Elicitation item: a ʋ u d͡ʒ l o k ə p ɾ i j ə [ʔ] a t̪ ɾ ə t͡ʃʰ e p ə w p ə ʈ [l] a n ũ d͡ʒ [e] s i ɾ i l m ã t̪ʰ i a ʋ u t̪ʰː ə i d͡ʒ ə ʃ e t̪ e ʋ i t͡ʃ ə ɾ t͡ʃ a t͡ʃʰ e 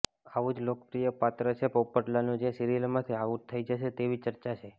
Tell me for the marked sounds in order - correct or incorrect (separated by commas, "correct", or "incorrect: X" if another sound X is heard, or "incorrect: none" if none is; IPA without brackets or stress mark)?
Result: incorrect: p, correct, correct